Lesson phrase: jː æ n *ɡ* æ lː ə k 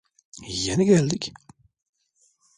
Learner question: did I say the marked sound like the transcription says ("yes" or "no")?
yes